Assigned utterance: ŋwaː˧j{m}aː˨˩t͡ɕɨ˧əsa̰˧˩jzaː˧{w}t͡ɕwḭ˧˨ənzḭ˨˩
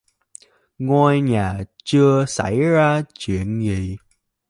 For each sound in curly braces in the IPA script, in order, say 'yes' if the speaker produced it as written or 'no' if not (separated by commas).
no, no